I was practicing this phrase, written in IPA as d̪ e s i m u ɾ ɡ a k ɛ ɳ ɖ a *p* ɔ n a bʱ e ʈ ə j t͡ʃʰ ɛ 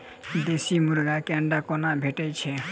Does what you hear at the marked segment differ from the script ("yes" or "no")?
yes